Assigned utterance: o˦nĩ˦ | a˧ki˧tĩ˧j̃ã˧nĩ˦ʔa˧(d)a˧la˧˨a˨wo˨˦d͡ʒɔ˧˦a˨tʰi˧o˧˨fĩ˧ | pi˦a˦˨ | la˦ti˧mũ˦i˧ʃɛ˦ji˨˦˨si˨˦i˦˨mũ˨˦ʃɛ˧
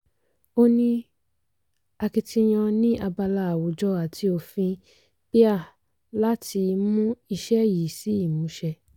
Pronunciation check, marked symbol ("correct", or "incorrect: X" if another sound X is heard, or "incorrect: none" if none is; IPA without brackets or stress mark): incorrect: b